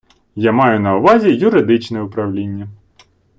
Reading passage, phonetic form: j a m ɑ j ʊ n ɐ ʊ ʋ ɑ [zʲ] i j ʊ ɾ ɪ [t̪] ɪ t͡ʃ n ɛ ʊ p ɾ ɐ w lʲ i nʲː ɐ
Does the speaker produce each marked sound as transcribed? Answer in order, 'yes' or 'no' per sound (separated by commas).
yes, no